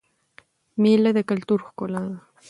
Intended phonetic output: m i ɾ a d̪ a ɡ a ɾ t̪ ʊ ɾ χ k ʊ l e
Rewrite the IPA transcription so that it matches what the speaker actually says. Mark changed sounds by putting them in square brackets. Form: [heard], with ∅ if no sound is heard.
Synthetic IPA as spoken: m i [l] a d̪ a [k] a [l] t̪ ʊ ɾ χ k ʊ l [a]